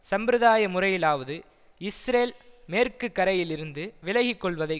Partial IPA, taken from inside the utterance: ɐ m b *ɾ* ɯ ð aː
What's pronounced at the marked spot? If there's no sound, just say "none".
ɾ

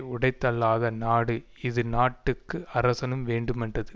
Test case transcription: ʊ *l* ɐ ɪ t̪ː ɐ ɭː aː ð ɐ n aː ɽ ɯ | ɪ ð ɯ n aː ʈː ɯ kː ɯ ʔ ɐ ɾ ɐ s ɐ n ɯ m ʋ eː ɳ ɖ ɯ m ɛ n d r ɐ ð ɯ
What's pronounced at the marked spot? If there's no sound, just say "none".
ɽ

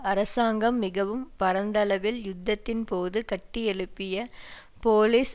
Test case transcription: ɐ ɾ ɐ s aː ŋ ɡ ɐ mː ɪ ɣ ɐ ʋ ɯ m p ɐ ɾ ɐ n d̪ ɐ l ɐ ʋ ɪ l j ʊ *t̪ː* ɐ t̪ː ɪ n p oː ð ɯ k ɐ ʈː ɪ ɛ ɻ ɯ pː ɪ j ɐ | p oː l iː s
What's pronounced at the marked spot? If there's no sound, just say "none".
d̪ː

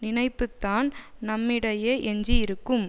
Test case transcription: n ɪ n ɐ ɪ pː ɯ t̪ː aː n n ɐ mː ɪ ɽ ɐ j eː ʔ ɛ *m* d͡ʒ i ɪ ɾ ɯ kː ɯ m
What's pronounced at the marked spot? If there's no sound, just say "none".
ɲ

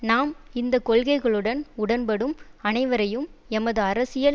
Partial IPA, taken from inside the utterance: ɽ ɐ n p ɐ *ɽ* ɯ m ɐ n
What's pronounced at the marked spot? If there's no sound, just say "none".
ɽ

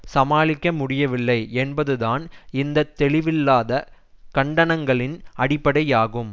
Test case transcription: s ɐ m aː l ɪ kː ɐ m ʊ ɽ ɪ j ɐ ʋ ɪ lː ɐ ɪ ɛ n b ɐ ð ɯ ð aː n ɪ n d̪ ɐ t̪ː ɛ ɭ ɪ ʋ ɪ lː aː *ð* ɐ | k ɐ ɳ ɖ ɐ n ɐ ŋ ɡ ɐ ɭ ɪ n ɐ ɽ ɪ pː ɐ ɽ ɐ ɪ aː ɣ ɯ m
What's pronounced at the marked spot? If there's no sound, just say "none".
ð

